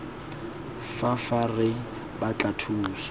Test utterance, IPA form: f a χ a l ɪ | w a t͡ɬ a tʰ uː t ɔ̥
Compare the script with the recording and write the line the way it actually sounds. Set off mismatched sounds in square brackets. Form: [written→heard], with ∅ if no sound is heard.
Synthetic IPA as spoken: f a [χ→f] a [l→r] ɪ | [w→b] a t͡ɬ a tʰ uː [t→s] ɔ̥